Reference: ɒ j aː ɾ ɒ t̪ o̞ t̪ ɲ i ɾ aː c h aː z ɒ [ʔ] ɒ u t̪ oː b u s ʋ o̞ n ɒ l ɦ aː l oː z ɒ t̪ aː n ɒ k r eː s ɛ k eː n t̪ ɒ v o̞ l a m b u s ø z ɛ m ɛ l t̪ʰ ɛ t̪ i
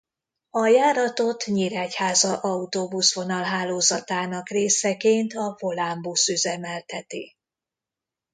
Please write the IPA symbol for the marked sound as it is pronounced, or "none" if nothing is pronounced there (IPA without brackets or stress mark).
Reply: ʔ